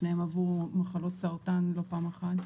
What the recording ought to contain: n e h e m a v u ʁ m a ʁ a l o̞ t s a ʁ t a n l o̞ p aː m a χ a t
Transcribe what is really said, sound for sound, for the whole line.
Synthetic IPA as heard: n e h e m a v u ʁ m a χ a l o̞ t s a ʁ t a n l o̞ p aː m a χ a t